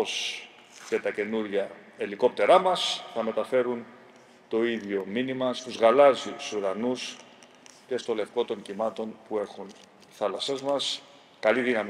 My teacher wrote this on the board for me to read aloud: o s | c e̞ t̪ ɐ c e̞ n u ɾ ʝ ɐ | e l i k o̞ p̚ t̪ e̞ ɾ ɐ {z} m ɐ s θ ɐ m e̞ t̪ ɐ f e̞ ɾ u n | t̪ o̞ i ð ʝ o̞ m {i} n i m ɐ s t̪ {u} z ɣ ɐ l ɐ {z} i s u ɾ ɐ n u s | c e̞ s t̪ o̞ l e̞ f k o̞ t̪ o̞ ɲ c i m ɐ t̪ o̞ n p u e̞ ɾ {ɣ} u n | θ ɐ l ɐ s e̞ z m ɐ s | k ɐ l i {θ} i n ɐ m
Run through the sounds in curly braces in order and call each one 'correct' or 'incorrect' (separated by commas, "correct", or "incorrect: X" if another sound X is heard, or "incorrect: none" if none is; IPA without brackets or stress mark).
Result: incorrect: none, correct, correct, correct, incorrect: x, incorrect: ð